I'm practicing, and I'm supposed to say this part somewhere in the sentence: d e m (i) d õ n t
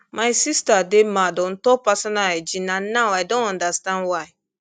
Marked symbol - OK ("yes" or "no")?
no